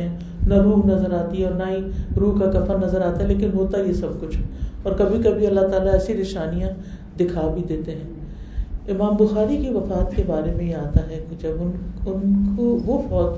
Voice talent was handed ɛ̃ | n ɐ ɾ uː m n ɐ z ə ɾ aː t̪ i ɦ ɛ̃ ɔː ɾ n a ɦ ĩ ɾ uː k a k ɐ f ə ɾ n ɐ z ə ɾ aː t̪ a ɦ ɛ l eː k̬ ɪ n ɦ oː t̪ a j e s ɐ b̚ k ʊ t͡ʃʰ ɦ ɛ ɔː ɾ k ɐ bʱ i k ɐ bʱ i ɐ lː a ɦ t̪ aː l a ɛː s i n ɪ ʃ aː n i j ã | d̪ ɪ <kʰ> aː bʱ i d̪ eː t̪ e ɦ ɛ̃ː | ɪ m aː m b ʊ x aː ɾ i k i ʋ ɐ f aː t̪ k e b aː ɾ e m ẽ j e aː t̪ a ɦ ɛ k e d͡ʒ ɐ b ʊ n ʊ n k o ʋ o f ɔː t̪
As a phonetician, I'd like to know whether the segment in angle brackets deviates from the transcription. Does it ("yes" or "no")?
no